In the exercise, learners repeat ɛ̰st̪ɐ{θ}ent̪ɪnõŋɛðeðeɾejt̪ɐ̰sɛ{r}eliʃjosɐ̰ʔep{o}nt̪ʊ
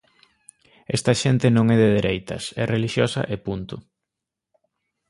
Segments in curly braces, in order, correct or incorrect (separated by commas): incorrect, correct, incorrect